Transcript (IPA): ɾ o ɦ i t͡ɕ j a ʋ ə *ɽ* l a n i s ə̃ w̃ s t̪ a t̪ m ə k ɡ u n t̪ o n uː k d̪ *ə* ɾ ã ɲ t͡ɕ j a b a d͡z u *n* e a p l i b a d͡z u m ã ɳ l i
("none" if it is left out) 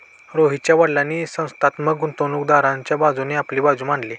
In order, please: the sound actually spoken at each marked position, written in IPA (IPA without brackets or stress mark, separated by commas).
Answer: ɽ, a, n